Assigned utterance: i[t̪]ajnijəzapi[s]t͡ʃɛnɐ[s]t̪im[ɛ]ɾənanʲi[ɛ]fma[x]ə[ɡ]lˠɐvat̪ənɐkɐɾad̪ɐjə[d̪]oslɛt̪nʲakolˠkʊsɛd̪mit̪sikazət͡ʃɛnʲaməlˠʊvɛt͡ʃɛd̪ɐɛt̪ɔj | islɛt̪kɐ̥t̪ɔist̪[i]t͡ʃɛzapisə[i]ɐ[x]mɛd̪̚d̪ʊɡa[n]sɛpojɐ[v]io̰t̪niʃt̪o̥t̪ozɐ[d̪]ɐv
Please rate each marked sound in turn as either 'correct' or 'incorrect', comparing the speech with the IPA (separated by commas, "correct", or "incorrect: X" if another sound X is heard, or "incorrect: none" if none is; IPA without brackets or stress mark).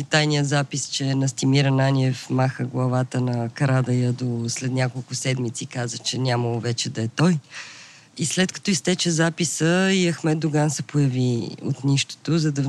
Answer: correct, correct, correct, incorrect: i, correct, correct, correct, correct, incorrect: ɛ, correct, correct, correct, correct, correct